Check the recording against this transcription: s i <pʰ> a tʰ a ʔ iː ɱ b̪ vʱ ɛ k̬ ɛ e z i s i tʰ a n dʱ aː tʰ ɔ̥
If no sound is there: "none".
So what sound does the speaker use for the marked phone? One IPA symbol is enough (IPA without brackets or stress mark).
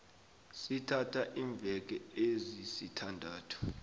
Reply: tʰ